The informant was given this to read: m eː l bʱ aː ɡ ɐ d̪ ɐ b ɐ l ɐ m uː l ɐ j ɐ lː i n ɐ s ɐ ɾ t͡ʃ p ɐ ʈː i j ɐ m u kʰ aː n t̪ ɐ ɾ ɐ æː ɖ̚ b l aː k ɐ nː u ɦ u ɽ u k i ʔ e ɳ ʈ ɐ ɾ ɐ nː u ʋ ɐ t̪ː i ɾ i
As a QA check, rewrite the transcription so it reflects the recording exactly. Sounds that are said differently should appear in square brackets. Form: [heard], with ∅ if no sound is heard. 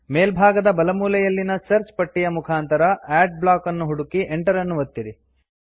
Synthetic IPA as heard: m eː l bʱ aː ɡ ɐ d̪ ɐ b ɐ l ɐ m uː l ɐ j ɐ lː i n ɐ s ɐ ɾ t͡ʃ p ɐ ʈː i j ɐ m u kʰ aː n t̪ ɐ ɾ ɐ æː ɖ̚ b l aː k ɐ nː u ɦ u ɽ u k i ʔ e ɳ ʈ ɐ ɾ ɐ nː u ʋ ɐ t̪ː i ɾ i

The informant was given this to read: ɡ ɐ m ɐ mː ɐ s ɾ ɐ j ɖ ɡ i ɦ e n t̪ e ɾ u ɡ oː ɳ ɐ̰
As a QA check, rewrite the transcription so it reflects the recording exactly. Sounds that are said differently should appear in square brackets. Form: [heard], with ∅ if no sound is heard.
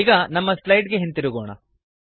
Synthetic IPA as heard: ɡ ɐ [n] ɐ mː ɐ s [l] ɐ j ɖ ɡ [e] ɦ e n t̪ [i] ɾ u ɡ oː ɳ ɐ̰

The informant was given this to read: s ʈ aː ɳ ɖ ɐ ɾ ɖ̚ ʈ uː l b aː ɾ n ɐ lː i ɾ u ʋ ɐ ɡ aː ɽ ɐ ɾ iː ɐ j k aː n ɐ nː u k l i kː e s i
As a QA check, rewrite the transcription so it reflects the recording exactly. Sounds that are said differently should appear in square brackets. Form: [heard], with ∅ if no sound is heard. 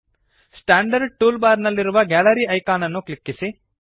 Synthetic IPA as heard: s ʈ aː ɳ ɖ ɐ ɾ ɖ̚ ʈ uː l b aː ɾ n ɐ lː i ɾ u ʋ ɐ ɡ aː [l] ɐ ɾ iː ɐ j k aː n ɐ nː u k l i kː [i] s i

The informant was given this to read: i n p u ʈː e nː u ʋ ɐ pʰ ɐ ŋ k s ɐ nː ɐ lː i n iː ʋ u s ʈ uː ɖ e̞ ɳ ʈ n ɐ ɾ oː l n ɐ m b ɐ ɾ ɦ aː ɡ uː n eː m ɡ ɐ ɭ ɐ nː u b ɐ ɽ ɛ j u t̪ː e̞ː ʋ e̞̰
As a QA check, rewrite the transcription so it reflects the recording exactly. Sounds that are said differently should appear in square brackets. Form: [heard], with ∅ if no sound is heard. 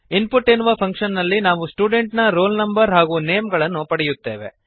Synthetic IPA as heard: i n p u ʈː e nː u ʋ ɐ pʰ ɐ ŋ k [ʂ] ɐ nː ɐ lː i n [aː] ʋ u s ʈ uː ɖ e̞ ɳ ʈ n ɐ ɾ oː l n ɐ m b ɐ ɾ ɦ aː ɡ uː n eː m ɡ ɐ ɭ ɐ nː u [p] ɐ ɽ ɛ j u t̪ː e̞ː ʋ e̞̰

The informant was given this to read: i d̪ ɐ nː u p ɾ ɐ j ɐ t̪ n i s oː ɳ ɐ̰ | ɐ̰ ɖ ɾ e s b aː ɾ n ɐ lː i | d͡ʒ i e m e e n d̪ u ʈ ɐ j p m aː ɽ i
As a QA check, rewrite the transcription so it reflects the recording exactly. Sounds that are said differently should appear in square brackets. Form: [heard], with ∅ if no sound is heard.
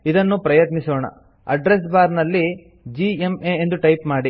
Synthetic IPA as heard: i d̪ ɐ nː u p ɾ ɐ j ɐ t̪ n i s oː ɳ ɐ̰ | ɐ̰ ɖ ɾ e s b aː ɾ n ɐ lː i | d͡ʒ i e m e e n d̪ u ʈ ɐ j p m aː ɽ i

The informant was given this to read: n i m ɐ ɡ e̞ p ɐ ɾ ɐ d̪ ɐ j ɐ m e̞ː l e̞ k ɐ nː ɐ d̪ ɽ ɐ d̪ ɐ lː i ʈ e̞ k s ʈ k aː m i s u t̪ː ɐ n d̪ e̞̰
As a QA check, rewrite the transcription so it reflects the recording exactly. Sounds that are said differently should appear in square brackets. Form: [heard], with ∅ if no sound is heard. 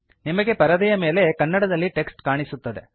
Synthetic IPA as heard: n i m ɐ ɡ e̞ p ɐ ɾ ɐ d̪ ɐ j ɐ m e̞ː l e̞ k ɐ nː ɐ [∅] ɽ ɐ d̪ ɐ lː i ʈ e̞ k s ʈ k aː [ɳ] i s u t̪ː ɐ [∅] d̪ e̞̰

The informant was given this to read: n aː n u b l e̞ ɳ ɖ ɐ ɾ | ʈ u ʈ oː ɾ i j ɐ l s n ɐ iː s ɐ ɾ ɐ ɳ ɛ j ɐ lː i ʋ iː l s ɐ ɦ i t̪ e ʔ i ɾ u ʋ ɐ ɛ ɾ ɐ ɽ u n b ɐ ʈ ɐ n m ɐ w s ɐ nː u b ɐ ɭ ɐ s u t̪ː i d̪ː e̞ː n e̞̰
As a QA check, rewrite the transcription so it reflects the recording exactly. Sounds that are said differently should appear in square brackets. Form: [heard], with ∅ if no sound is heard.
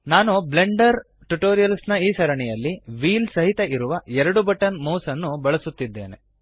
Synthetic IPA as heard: n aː n u b l e̞ ɳ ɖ ɐ ɾ | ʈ u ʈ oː ɾ i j ɐ l s n ɐ iː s ɐ ɾ ɐ ɳ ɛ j ɐ lː i ʋ iː l s ɐ ɦ i t̪ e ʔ i ɾ u ʋ ɐ ɛ ɾ ɐ ɽ u [∅] b ɐ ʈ ɐ n m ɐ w s ɐ nː u b ɐ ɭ ɐ s u t̪ː i d̪ː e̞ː n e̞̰

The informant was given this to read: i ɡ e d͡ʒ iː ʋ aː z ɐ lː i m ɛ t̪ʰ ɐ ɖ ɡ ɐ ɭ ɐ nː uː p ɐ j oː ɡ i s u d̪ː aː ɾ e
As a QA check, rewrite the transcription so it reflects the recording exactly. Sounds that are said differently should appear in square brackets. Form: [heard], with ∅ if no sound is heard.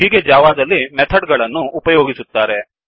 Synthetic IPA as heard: i ɡ e d͡ʒ [aː] ʋ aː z ɐ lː i m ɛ t̪ʰ ɐ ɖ ɡ ɐ ɭ ɐ nː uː p ɐ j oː ɡ i s u [t̪ː] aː ɾ e

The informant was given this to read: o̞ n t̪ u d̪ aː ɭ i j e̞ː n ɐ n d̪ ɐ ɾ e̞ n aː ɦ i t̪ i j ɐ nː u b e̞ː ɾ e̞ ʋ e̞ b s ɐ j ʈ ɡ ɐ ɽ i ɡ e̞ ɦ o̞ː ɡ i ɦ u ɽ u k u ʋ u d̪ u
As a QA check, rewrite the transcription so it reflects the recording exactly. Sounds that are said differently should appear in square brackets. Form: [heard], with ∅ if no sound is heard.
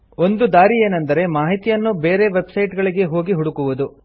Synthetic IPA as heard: o̞ n [d̪] u d̪ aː [ɾ] i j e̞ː n ɐ n d̪ ɐ ɾ e̞ [m] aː ɦ i t̪ i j ɐ nː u b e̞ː ɾ e̞ ʋ e̞ b s ɐ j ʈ ɡ ɐ [ɭ] i ɡ e̞ ɦ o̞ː ɡ i ɦ u ɽ u k u ʋ u d̪ u

